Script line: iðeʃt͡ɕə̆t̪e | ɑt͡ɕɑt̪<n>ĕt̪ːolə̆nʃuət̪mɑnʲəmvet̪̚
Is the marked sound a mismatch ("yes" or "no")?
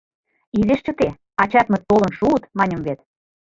yes